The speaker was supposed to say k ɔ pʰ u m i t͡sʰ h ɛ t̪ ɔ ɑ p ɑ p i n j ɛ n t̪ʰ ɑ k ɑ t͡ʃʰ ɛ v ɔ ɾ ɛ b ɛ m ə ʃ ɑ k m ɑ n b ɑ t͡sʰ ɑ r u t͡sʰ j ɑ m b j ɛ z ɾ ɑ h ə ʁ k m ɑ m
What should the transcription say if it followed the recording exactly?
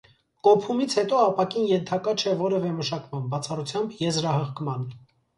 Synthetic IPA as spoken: k ɔ pʰ u m i t͡sʰ h ɛ t̪ ɔ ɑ p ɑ k i n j ɛ n t̪ʰ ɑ k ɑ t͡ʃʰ ɛ v ɔ ɾ ɛ v ɛ m ə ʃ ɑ k m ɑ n b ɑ t͡sʰ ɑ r u t͡sʰ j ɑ m b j ɛ z ɾ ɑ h ə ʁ k m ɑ n